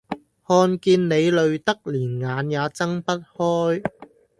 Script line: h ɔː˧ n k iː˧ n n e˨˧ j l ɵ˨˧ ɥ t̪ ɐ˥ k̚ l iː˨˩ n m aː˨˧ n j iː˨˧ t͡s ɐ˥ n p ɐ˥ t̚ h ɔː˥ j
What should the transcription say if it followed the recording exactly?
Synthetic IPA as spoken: h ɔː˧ n k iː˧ n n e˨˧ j l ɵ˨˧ ɥ t̪ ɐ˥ k̚ l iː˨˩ n ŋ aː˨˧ n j aː˨˧ t͡s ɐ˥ ŋ p ɐ˥ t̚ h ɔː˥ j